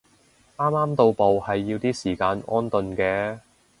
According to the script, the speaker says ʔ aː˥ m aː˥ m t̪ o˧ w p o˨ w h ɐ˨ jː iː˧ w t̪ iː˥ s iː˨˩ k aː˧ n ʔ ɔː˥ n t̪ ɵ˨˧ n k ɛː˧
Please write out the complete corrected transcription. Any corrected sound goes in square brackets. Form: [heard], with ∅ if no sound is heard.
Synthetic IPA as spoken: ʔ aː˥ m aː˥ m t̪ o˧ w p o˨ w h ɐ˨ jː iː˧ w t̪ iː˥ s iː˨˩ k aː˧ n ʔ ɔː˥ n t̪ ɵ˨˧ n k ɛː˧